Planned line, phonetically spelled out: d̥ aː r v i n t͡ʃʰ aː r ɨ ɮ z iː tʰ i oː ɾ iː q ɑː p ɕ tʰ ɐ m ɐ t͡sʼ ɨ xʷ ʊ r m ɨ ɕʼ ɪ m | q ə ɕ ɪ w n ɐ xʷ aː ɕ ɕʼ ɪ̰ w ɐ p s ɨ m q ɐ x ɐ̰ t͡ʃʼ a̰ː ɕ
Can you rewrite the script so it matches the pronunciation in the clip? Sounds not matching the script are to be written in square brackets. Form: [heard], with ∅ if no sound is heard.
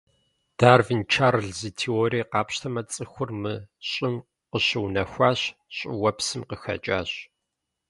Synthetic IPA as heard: d̥ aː r v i n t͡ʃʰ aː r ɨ ɮ z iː tʰ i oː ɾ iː q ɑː p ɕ tʰ ɐ m ɐ t͡sʼ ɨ xʷ ʊ r m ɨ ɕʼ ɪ m | q ə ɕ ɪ w n ɐ xʷ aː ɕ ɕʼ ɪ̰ w ɐ p s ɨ m q [ə] x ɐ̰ t͡ʃʼ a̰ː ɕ